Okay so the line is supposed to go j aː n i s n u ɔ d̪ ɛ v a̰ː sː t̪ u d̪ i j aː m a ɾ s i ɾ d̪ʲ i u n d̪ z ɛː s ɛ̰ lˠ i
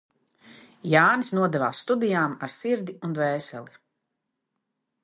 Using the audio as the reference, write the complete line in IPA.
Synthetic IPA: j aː n i s n u ɔ d̪ ɛ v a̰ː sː t̪ u d̪ i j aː m a ɾ s i ɾ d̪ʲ i u n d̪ v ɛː s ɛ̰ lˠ i